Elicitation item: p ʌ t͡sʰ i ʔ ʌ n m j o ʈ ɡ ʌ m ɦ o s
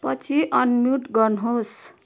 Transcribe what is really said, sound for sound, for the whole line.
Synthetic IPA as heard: p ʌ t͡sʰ i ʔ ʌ n m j u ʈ ɡ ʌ n ɦ o s